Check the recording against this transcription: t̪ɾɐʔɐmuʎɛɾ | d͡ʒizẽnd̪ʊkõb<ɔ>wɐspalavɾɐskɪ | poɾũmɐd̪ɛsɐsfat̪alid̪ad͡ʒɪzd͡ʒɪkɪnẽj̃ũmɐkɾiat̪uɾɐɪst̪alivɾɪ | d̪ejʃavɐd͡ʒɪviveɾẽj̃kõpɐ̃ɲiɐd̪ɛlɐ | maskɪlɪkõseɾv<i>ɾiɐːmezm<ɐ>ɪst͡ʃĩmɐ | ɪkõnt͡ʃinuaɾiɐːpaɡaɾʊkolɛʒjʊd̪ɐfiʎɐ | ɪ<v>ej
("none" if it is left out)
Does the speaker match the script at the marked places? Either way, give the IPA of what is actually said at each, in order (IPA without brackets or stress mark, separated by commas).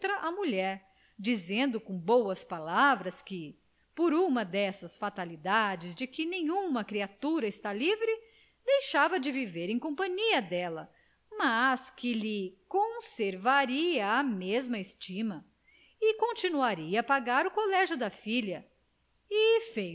o, a, ɐ, f